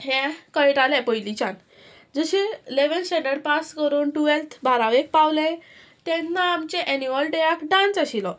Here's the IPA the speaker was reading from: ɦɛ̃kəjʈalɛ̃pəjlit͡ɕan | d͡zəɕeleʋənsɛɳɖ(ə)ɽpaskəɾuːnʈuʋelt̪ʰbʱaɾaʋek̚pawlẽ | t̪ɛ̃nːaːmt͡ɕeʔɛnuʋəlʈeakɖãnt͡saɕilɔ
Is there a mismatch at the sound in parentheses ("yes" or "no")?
no